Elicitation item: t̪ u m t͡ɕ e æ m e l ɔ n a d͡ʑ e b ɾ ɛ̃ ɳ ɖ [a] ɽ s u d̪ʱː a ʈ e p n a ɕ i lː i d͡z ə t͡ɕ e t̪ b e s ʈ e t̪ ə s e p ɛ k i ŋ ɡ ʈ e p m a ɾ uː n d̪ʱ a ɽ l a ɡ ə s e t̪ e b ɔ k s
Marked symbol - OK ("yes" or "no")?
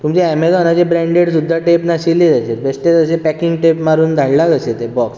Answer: no